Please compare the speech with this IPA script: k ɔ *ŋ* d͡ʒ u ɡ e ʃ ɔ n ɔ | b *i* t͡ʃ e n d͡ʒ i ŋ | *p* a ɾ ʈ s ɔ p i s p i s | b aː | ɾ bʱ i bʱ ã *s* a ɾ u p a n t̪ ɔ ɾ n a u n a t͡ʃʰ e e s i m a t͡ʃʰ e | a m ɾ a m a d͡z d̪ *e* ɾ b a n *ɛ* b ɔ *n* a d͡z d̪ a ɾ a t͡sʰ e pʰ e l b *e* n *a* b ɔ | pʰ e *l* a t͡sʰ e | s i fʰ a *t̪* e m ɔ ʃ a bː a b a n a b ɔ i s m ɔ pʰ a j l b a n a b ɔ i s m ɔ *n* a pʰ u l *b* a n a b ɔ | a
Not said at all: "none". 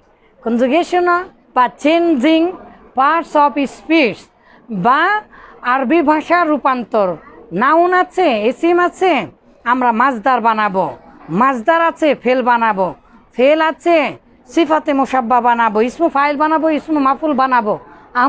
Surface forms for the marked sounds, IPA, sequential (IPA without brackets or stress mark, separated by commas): n, a, p, ʃ, a, a, m, a, a, l, t̪, m, b